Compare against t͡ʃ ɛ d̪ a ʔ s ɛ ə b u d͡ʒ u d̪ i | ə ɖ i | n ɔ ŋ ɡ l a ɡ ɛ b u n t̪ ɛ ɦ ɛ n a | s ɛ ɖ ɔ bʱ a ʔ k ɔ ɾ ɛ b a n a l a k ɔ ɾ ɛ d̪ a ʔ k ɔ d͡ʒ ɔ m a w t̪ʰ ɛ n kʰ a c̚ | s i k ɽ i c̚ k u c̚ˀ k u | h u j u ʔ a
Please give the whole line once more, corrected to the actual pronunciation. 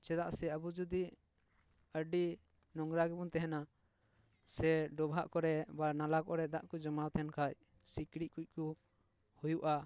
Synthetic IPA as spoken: t͡ʃ ɛ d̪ a ʔ s ɛ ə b u d͡ʒ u d̪ i | ə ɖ i | n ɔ ŋ ɡ ɾ a ɡ ɛ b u n t̪ ɛ ɦ ɛ n a | s ɛ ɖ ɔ bʱ a ʔ k ɔ ɾ ɛ b a n a l a k ɔ ɾ ɛ d̪ a ʔ k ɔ d͡ʒ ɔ m a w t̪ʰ ɛ n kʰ a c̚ | s i k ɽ i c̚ k u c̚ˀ k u | h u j u ʔ a